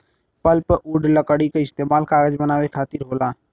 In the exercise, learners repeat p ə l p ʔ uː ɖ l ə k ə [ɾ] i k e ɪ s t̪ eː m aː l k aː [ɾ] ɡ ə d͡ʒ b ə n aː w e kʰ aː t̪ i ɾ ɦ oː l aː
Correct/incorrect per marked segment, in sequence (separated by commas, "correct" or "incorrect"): incorrect, incorrect